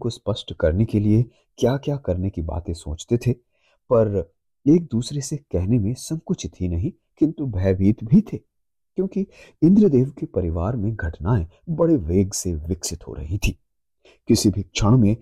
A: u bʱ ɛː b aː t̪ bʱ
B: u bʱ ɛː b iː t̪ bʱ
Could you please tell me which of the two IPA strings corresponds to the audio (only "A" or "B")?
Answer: B